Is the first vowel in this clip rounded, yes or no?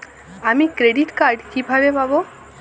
no